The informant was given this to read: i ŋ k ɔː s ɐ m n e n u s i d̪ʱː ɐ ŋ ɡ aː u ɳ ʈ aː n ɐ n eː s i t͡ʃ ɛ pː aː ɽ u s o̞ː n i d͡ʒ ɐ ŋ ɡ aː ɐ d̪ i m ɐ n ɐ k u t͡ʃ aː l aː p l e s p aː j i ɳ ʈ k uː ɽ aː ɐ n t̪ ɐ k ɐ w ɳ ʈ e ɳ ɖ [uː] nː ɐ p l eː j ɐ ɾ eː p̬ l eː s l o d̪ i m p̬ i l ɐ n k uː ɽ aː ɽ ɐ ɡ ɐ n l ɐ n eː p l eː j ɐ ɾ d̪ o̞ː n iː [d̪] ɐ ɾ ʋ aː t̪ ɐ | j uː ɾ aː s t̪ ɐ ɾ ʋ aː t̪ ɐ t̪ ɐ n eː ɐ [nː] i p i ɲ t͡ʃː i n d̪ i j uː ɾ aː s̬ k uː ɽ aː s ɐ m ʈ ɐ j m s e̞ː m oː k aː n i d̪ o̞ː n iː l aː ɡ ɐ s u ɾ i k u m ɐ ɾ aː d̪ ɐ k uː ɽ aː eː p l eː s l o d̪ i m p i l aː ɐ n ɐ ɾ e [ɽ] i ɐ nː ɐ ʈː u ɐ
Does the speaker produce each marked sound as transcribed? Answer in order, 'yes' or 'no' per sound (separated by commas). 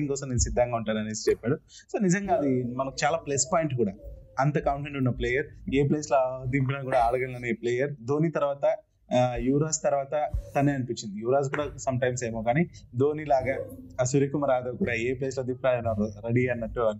no, no, no, yes